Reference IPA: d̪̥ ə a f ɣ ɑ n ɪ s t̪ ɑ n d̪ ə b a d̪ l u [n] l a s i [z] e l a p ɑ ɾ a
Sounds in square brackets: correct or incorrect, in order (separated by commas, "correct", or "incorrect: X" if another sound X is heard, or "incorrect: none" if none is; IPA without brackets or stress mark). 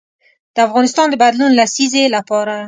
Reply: correct, correct